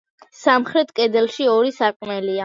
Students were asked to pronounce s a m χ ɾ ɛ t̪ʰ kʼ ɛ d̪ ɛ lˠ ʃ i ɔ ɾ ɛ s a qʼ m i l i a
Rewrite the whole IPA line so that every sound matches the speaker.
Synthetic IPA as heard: s a m χ ɾ ɛ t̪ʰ kʼ ɛ d̪ ɛ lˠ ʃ i ɔ ɾ i s a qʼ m ɛ l i a